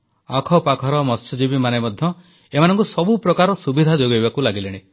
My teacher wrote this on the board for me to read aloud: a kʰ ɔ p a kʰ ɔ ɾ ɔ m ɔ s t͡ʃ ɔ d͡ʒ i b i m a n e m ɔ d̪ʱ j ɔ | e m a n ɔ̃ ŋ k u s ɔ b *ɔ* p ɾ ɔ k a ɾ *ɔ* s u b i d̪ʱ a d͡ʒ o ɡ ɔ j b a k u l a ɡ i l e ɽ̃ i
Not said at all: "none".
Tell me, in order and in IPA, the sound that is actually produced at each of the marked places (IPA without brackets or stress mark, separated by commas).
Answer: u, ɔ